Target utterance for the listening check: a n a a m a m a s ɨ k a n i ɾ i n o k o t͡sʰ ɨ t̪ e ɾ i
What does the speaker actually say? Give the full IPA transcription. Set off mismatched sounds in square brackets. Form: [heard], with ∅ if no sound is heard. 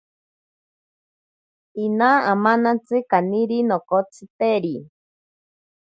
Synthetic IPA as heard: [i] n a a m a [n] a [t͡s] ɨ k a n i ɾ i n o k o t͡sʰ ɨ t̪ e ɾ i